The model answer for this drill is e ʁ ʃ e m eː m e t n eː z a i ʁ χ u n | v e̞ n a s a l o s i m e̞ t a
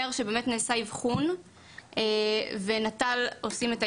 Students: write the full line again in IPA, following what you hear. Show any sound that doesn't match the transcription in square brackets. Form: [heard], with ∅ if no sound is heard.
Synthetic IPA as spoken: e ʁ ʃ e [b] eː m e t n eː [s] a i [v] χ u n | v e̞ n a [t] a l o s i m e̞ t a